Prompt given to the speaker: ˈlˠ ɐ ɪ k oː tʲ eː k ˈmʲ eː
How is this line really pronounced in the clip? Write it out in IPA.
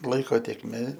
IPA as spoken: ˈlˠ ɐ ɪ k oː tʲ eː k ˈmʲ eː